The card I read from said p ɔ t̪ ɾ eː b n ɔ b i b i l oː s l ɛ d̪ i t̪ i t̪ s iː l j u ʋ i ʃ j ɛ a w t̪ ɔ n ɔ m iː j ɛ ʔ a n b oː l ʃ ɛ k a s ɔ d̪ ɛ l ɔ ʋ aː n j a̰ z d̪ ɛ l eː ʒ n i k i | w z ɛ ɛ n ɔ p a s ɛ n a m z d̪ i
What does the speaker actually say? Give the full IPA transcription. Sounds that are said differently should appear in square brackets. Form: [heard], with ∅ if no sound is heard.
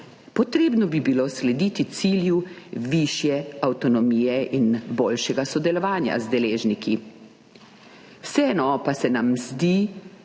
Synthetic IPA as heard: p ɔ t̪ ɾ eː b n ɔ b i b i l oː s l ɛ d̪ i t̪ i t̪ s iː l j u ʋ i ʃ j ɛ a w t̪ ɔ n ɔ m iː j ɛ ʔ [i] n b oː l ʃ ɛ [ɡ] a s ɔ d̪ ɛ l ɔ ʋ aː n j a̰ z d̪ ɛ l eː ʒ n i k i | w [s] ɛ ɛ n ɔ p a s ɛ n a m z d̪ i

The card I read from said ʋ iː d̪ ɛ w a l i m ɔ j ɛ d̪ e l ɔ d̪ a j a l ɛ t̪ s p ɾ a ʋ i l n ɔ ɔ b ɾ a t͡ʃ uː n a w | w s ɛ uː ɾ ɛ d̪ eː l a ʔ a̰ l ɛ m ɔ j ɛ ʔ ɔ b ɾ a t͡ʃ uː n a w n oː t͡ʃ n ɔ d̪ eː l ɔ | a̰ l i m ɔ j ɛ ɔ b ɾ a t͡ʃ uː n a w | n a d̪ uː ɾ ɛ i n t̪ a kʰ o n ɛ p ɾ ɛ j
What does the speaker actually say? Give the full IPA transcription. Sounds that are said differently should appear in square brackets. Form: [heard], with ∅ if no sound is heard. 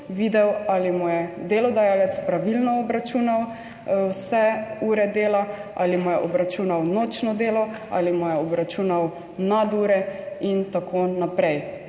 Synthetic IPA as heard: ʋ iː d̪ ɛ w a l i m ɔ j ɛ d̪ e l ɔ d̪ a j a l ɛ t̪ s p ɾ a ʋ i l n ɔ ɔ b ɾ a t͡ʃ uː n a w | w s ɛ uː ɾ ɛ d̪ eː l a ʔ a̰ l [i] m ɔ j ɛ ʔ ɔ b ɾ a t͡ʃ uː n a w n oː t͡ʃ n ɔ d̪ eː l ɔ | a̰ l i m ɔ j ɛ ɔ b ɾ a t͡ʃ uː n a w | n a d̪ uː ɾ ɛ i n t̪ a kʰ o n [a] p ɾ ɛ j

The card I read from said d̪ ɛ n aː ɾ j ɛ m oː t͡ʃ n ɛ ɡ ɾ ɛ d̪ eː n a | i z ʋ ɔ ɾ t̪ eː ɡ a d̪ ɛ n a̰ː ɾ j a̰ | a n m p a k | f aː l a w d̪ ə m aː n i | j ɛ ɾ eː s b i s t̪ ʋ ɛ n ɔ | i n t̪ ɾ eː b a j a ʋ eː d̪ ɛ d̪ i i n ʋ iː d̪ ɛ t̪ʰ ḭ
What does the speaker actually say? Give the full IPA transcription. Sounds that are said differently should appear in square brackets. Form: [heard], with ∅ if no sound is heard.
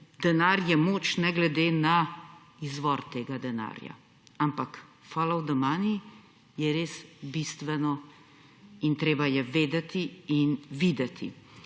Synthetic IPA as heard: d̪ ɛ n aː ɾ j ɛ m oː t͡ʃ n ɛ ɡ [l] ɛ d̪ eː n a | i z ʋ ɔ ɾ t̪ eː ɡ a d̪ ɛ n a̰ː ɾ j a̰ | a [∅] m p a k | f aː l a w d̪ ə m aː n i | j ɛ ɾ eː s b i s t̪ ʋ ɛ n ɔ | i n t̪ ɾ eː b a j [ɛ] ʋ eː d̪ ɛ [t̪] i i n ʋ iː d̪ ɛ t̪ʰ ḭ

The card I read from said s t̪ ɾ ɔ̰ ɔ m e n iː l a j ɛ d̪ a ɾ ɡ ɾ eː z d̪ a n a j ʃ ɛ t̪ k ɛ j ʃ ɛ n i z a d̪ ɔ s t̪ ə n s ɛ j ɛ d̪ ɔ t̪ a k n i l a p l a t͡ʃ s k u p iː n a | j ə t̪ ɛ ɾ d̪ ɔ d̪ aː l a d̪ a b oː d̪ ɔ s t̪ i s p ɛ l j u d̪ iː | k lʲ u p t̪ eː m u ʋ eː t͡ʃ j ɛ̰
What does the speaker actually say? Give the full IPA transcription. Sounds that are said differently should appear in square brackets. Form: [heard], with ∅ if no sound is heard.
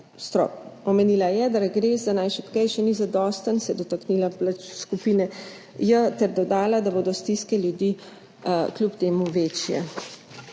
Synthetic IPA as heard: s t̪ ɾ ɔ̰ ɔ m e n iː l a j ɛ d̪ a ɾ ɡ ɾ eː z d̪ a n a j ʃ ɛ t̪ k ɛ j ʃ ɛ n i z a d̪ ɔ s t̪ ə n s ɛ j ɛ d̪ ɔ t̪ a k n i l a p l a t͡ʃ s k u p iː n [ɛ] | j ə t̪ ɛ ɾ d̪ ɔ d̪ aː l a d̪ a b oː d̪ ɔ s t̪ i s [k] ɛ l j u d̪ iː | k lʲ u p t̪ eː m u ʋ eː t͡ʃ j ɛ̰

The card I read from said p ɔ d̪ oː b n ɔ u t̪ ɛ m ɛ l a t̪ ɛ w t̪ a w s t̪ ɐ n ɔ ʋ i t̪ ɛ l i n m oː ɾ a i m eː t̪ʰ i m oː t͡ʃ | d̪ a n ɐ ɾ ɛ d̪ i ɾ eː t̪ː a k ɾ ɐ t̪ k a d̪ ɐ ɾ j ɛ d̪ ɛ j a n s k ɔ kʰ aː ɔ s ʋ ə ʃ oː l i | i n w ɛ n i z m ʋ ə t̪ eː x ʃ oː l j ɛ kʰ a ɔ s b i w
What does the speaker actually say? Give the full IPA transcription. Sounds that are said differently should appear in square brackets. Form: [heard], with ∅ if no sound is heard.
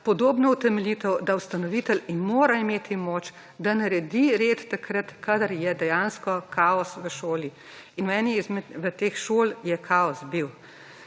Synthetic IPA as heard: p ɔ d̪ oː b n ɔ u t̪ ɛ m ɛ l [i] t̪ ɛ w [d̪] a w s t̪ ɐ n ɔ ʋ i t̪ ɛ l i n m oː ɾ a i m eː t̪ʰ i m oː t͡ʃ | d̪ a n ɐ ɾ ɛ d̪ i ɾ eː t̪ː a k ɾ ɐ t̪ k a d̪ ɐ ɾ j ɛ d̪ ɛ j a n s k ɔ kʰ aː ɔ s ʋ ə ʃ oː l i | i n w ɛ n i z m ʋ ə t̪ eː x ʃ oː l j ɛ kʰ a ɔ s b i w

